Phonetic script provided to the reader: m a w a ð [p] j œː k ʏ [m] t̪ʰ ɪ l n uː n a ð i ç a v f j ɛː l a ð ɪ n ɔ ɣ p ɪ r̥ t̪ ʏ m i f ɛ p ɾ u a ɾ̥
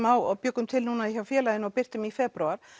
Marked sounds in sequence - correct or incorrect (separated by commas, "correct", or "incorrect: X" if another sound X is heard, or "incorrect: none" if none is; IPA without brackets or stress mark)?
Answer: correct, correct